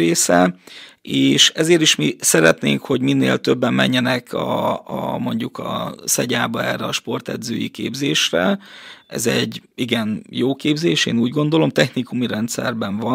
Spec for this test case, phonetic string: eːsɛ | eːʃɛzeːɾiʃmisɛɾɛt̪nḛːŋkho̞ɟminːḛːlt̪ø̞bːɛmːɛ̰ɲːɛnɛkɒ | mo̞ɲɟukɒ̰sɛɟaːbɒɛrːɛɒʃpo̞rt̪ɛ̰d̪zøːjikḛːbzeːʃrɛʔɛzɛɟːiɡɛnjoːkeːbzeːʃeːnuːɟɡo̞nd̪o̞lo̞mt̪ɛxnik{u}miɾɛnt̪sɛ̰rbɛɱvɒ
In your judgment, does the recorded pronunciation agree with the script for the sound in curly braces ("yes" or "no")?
yes